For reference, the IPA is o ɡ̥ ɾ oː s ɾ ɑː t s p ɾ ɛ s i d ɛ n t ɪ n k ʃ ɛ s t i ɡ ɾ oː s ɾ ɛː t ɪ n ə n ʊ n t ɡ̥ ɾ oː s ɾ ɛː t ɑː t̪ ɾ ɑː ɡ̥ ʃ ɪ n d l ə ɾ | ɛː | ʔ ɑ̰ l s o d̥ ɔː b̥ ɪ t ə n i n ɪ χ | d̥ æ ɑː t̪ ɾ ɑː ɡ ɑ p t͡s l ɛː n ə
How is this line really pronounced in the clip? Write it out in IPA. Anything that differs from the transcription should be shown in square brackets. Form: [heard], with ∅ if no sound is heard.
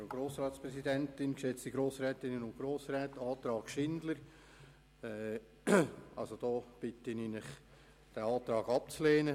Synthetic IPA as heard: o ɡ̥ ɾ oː s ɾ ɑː t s p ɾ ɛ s i d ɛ n t ɪ n k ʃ ɛ [t͡s] t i ɡ ɾ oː s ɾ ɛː t ɪ n ə n ʊ n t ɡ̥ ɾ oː s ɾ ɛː t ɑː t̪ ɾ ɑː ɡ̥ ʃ ɪ n d l ə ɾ | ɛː | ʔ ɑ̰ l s o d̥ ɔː b̥ ɪ t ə n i n ɪ χ | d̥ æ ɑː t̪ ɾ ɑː ɡ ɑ p t͡s l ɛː n ə